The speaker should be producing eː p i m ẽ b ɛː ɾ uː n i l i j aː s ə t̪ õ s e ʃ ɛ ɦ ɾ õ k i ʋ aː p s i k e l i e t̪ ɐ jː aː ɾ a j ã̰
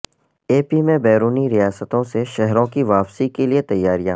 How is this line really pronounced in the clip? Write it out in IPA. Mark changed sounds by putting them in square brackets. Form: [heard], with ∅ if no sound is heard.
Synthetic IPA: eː p i m ẽ b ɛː ɾ uː n i [ɾ] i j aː s ə t̪ õ s e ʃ ɛ ɦ ɾ õ k i ʋ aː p s i k e l i e t̪ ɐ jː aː ɾ [i] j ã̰